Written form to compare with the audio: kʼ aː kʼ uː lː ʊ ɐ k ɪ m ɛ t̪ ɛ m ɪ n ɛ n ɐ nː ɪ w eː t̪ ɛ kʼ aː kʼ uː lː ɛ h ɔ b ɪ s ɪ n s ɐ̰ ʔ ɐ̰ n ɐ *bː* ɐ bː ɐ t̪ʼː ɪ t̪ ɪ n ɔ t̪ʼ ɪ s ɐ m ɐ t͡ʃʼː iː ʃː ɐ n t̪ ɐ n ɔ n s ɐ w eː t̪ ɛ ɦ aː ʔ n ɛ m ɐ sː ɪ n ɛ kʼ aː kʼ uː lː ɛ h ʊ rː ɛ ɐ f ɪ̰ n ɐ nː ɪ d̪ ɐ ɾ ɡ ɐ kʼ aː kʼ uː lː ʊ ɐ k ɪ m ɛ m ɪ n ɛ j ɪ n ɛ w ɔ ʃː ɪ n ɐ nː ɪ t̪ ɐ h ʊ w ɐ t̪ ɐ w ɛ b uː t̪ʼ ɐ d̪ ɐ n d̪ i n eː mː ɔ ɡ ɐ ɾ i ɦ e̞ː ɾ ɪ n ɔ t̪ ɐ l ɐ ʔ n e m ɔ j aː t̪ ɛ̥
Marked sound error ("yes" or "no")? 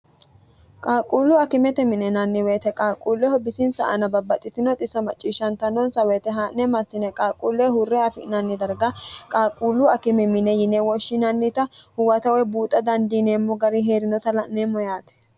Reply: yes